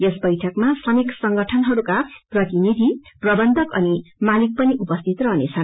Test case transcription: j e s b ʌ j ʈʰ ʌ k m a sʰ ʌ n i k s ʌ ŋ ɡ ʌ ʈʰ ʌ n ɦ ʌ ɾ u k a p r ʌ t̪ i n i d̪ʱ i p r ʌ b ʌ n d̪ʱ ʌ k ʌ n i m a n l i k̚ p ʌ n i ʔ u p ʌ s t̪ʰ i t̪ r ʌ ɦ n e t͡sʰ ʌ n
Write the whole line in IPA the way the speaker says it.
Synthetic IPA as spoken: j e s b ʌ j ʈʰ ʌ k m a sʰ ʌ n i k s ʌ ŋ ɡ ʌ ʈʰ ʌ n ɦ ʌ ɾ u k a p r ʌ t̪ i n i d̪ʱ i p r ʌ b ʌ n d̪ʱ ʌ k ʌ n i m a l i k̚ p ʌ n i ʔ u p ʌ s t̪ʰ i t̪ r ʌ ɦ n e t͡sʰ ʌ n